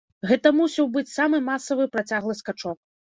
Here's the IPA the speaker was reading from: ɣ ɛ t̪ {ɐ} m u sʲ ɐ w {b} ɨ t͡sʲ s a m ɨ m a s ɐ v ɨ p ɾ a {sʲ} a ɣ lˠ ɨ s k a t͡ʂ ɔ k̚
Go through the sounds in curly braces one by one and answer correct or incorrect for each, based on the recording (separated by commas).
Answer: correct, correct, incorrect